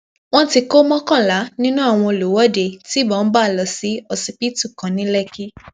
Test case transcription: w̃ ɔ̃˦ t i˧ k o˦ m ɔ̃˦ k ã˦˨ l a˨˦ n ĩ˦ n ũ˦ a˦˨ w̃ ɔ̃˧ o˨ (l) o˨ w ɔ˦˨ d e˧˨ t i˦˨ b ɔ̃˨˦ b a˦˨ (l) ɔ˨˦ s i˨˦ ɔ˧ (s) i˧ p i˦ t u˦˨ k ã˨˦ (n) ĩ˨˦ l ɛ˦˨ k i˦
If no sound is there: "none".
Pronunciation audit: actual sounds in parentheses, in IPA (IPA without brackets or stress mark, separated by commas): l, l, s, n